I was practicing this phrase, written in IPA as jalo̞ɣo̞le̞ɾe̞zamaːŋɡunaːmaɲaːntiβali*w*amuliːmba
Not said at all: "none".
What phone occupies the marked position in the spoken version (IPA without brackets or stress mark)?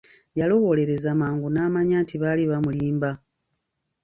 β